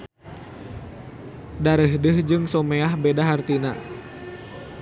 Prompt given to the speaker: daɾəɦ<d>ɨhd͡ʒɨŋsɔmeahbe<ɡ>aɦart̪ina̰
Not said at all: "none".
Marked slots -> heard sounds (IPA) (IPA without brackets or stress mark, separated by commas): d, d